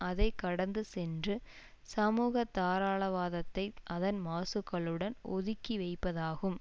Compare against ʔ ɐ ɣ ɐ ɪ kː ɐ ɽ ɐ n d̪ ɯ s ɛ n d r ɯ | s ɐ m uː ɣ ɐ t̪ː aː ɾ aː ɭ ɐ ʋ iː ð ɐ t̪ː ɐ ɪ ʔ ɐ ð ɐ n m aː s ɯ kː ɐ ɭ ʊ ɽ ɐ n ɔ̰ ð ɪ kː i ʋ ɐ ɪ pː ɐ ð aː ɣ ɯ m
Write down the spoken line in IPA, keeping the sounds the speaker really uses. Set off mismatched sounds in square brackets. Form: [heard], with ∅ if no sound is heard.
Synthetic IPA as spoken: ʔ ɐ [ð] ɐ ɪ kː ɐ ɽ ɐ n d̪ ɯ s ɛ n d r ɯ | s ɐ m uː ɣ ɐ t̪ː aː ɾ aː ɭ ɐ ʋ [aː] ð ɐ t̪ː ɐ ɪ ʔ ɐ ð ɐ n m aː s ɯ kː ɐ ɭ [ɯ] ɽ ɐ n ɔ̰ ð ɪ kː i ʋ ɐ ɪ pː ɐ ð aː ɣ ɯ m